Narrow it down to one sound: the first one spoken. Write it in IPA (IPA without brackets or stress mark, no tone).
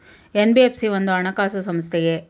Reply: e